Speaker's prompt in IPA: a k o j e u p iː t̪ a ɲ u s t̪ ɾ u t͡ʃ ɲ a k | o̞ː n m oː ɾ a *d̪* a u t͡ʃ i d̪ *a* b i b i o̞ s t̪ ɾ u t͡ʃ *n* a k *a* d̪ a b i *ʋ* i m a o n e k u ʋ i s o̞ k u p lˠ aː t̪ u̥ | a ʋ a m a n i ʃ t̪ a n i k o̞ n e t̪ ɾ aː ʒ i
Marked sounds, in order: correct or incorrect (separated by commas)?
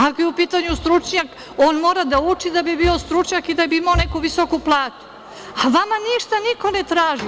correct, correct, incorrect, incorrect, incorrect